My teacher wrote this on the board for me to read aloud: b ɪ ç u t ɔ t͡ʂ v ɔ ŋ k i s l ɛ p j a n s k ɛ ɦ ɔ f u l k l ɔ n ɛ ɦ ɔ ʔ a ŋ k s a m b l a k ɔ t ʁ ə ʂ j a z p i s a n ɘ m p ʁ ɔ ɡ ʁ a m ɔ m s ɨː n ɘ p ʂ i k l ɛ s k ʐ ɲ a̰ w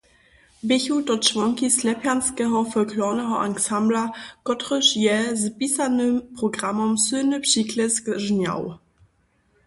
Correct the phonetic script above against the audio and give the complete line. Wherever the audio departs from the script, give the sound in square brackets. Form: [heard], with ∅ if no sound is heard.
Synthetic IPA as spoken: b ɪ ç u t ɔ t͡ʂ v ɔ ŋ k i s l ɛ p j a n s k ɛ ɦ ɔ f [ɔ] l k l ɔ n ɛ ɦ ɔ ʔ a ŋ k s a m b l a k ɔ t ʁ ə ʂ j [ɛ] z p i s a n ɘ m p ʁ ɔ ɡ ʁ a m ɔ m s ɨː n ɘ p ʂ i k l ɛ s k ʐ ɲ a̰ w